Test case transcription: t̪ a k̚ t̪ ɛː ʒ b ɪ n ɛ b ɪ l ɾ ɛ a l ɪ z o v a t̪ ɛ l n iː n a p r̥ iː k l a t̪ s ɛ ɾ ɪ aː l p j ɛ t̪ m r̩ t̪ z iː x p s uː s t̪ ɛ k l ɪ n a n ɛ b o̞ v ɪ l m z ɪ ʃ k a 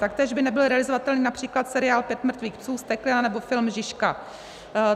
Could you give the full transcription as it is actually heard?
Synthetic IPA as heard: t̪ a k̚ t̪ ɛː ʒ b ɪ n ɛ b ɪ l ɾ ɛ a l ɪ z o v a t̪ ɛ l n iː n a p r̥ iː k l a t̪ s ɛ ɾ ɪ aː l p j ɛ t̪ m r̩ t̪ v iː x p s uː s t̪ ɛ k l ɪ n a n ɛ b o̞ f ɪ l m ʒ ɪ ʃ k a